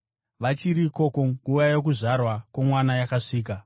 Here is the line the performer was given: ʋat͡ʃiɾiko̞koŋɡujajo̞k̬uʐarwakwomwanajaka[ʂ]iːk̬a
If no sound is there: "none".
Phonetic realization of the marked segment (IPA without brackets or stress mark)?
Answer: ʂ